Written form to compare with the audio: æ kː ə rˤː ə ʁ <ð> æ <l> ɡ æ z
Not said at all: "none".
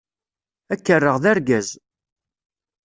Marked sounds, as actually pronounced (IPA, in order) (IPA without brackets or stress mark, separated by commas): ð, ɾ